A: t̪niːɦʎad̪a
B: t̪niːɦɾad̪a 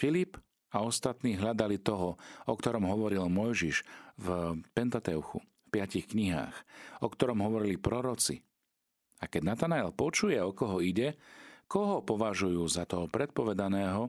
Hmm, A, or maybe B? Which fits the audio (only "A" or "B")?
A